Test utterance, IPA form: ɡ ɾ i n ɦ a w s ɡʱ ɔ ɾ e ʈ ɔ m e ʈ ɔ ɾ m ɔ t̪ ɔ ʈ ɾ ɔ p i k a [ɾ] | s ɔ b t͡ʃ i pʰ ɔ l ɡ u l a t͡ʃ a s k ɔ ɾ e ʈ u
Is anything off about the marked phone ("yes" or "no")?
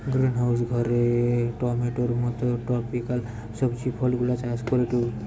yes